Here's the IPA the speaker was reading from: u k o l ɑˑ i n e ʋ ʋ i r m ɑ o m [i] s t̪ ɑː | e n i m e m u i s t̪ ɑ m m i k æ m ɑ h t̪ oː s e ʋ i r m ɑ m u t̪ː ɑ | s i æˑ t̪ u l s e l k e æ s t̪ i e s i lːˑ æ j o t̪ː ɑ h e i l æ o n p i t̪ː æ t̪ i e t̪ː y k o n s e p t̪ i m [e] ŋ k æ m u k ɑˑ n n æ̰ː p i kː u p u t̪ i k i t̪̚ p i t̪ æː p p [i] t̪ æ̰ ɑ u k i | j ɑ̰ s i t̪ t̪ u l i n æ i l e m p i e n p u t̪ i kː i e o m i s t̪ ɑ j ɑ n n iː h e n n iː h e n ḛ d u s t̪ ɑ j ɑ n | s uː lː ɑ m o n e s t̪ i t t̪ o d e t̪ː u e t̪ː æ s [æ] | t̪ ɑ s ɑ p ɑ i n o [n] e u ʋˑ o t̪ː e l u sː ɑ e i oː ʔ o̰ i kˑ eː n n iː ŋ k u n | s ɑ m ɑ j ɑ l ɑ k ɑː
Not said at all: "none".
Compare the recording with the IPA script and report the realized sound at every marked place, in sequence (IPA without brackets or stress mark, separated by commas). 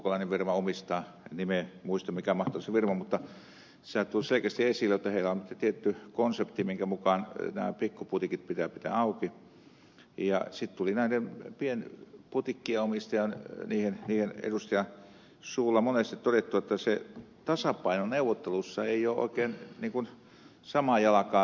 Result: i, i, i, e, n